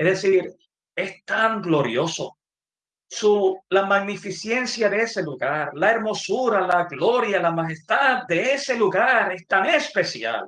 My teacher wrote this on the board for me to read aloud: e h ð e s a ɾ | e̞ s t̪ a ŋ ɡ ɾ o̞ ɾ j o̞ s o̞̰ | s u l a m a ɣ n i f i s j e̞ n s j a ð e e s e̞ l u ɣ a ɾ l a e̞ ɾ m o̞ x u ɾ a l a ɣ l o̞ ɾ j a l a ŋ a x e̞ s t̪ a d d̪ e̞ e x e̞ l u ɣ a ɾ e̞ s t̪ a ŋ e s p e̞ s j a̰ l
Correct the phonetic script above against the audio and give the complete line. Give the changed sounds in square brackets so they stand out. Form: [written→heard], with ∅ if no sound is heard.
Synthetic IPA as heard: e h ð e s [a→i] ɾ | e̞ s t̪ a ŋ ɡ [ɾ→l] o̞ ɾ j o̞ s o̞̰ | s u l a m a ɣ n i f i s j e̞ n s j a ð e e s e̞ l u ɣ a ɾ l a e̞ ɾ m o̞ [x→s] u ɾ a l a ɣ l o̞ ɾ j a l a [ŋ→m] a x e̞ s t̪ a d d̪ e̞ e [x→s] e̞ l u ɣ a ɾ e̞ s t̪ a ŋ e s p e̞ s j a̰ l